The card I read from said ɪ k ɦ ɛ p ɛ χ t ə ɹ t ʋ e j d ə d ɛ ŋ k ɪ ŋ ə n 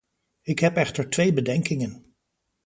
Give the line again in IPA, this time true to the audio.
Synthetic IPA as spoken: ɪ k ɦ ɛ p ɛ χ t ə ɹ t ʋ e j b ə d ɛ ŋ k ɪ ŋ ə n